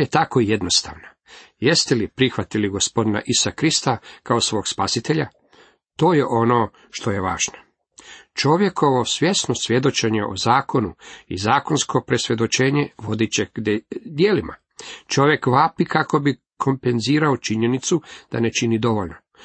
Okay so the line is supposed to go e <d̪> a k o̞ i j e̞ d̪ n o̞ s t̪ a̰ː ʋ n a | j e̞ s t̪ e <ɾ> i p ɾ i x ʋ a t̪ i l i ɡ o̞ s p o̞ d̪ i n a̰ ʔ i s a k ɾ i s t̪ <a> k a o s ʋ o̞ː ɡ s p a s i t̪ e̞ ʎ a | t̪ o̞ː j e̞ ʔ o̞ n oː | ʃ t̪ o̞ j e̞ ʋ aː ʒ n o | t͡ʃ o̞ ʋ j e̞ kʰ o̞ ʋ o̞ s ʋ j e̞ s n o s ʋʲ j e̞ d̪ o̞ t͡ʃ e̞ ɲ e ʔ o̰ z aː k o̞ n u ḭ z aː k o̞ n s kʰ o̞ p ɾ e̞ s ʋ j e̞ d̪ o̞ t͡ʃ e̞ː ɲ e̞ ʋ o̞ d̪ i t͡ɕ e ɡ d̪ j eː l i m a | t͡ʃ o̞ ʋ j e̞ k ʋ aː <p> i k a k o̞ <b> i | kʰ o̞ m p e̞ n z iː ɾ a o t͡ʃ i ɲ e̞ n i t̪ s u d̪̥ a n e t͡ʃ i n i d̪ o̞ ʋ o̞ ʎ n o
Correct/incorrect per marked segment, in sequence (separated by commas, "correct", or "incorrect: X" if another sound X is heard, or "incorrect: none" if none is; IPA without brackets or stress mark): incorrect: t̪, incorrect: l, correct, correct, correct